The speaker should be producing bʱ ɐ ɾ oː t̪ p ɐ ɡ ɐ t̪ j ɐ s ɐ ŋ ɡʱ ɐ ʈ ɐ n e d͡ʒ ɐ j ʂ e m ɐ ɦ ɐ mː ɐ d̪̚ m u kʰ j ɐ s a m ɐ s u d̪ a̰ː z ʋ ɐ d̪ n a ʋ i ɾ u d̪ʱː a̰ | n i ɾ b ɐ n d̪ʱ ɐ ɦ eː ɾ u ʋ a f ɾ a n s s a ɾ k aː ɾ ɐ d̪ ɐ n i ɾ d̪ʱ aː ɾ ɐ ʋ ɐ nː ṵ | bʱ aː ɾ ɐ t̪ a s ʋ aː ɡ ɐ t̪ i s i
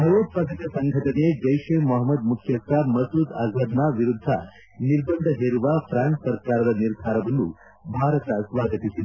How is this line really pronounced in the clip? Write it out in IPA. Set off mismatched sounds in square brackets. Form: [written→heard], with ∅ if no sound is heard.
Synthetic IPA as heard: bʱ ɐ ɾ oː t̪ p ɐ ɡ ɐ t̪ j ɐ s ɐ ŋ ɡʱ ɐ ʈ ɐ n e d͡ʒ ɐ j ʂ e m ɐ ɦ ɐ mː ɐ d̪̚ m u kʰ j ɐ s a m ɐ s u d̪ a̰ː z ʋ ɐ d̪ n a ʋ i ɾ u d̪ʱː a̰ | n i ɾ b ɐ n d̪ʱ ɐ ɦ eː ɾ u ʋ a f ɾ a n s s [a→ɐ] ɾ k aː ɾ ɐ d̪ ɐ n i ɾ d̪ʱ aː ɾ ɐ ʋ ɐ nː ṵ | bʱ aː ɾ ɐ t̪ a s ʋ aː ɡ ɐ t̪ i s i